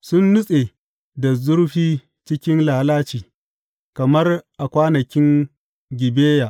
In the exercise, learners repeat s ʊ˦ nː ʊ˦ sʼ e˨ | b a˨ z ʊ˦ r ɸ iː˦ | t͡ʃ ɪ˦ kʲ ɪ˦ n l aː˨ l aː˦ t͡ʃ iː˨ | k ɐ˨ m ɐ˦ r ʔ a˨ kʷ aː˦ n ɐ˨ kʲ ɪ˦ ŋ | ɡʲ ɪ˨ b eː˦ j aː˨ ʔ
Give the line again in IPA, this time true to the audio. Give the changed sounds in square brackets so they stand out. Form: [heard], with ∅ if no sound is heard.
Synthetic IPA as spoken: s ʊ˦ nː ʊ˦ sʼ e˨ | [d] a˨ z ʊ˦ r ɸ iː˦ | t͡ʃ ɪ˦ kʲ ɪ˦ n l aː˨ l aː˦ t͡ʃ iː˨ | k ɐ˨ m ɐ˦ r ʔ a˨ kʷ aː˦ n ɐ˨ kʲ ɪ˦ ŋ | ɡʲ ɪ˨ b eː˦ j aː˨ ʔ